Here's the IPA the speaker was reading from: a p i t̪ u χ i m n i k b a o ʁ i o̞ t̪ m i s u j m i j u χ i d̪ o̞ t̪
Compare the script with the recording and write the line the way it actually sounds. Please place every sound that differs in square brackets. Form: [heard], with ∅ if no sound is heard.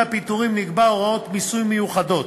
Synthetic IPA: a p i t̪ u [ʁ] i m n i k b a o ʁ [a] o̞ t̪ m i s u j m [e] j u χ [a] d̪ o̞ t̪